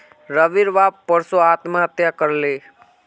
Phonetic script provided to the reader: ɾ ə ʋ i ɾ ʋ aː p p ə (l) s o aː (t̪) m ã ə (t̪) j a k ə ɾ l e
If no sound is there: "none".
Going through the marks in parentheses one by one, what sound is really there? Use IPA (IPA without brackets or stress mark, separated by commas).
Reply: ɾ, t̪, t̪